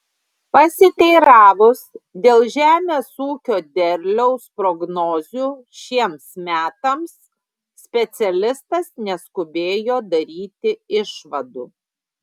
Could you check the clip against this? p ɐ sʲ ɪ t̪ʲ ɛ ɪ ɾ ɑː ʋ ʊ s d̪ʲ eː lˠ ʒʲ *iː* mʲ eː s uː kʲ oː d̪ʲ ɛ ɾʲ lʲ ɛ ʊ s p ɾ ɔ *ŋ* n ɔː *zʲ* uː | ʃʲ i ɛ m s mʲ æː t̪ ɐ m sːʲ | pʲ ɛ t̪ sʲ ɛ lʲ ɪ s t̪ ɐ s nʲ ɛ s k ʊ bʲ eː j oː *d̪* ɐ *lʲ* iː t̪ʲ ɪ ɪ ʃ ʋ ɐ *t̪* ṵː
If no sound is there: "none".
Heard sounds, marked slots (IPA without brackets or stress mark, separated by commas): æː, ɡ, zʲ, d̪, ɾʲ, d̪